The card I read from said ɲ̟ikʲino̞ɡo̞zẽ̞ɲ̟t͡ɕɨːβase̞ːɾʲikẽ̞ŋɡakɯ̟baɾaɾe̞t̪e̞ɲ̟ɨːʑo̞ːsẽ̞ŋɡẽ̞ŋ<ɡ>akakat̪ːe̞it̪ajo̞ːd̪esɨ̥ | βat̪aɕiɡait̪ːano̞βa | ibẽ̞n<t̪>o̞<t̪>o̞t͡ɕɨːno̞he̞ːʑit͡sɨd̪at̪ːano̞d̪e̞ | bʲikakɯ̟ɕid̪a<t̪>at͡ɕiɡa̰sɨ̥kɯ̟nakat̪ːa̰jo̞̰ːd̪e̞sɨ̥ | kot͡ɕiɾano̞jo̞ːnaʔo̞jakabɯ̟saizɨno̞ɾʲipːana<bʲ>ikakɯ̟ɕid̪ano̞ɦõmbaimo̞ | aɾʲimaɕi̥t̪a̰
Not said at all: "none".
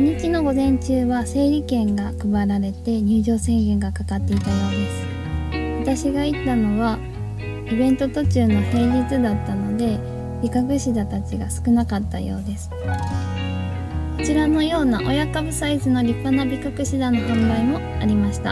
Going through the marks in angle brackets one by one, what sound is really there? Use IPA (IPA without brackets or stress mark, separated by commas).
ɡ, t̪, t̪, t̪, bʲ